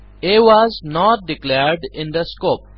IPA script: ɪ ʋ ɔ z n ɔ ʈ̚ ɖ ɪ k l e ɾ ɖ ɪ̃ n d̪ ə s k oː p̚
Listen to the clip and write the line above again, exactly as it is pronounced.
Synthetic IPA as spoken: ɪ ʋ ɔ z n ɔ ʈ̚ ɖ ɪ k l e ɾ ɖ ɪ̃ n d̪ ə s k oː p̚